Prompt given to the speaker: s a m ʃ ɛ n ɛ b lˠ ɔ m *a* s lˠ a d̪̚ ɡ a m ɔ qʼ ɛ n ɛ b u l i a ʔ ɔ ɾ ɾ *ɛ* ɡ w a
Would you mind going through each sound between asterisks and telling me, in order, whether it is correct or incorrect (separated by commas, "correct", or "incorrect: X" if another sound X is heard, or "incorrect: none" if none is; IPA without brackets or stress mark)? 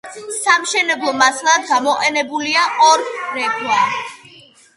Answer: correct, correct